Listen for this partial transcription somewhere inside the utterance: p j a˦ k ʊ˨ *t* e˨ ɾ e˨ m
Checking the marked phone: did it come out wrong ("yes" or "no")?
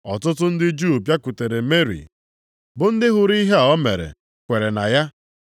no